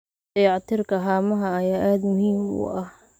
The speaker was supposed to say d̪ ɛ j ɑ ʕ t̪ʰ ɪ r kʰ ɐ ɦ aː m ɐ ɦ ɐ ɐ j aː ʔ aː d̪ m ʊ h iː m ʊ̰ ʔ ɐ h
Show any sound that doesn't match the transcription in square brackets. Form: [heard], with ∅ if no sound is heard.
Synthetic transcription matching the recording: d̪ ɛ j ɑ ʕ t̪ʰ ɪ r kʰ ɐ ɦ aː m ɐ ɦ ɐ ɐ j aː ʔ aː d̪ m ʊ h iː m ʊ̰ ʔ ɐ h